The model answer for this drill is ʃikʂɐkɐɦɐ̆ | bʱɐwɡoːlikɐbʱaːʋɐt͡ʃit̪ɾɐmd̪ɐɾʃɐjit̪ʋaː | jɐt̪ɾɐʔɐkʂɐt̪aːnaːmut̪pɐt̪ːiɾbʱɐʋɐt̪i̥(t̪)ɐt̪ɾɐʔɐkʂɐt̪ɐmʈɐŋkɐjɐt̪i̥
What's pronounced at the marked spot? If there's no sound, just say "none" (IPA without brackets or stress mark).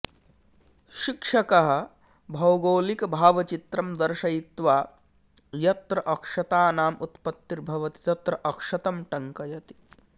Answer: t̪